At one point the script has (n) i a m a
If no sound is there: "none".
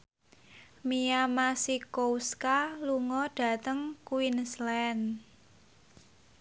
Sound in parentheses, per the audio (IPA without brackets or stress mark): m